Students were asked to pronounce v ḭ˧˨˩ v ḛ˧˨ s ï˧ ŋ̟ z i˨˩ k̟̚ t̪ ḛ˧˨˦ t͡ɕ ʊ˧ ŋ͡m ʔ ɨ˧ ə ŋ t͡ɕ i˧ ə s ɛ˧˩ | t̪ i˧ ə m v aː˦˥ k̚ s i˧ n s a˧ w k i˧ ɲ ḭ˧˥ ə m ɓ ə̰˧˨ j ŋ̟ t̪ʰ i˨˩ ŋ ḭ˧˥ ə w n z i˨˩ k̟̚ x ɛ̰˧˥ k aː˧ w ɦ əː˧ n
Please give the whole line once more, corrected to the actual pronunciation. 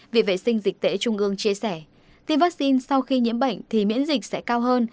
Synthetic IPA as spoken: v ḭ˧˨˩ v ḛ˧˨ s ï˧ ŋ̟ z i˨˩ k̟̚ t̪ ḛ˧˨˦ t͡ɕ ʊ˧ ŋ͡m ʔ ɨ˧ ə ŋ t͡ɕ i˧ ə s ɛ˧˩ | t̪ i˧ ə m v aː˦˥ k̚ s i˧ n s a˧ w x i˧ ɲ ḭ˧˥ ə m ɓ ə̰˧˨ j ŋ̟ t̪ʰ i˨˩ m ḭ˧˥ ə n z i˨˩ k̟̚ s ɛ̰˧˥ k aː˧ w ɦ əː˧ n